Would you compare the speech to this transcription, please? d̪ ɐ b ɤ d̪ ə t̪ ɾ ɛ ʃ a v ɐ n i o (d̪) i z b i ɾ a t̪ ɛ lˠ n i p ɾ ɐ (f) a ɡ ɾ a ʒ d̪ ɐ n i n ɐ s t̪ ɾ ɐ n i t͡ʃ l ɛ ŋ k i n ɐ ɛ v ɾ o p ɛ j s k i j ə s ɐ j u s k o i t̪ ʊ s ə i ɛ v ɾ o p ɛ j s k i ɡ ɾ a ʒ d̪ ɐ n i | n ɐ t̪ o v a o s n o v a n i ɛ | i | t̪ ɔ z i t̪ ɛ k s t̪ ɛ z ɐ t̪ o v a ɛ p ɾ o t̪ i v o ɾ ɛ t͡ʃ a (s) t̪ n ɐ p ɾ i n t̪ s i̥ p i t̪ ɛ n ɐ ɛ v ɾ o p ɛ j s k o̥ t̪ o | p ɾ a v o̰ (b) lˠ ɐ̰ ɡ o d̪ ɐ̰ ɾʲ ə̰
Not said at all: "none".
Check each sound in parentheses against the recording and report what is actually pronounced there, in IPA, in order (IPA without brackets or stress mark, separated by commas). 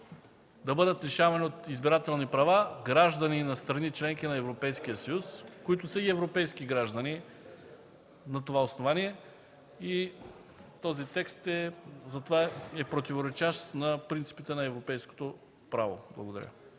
t̪, v, ʃ, b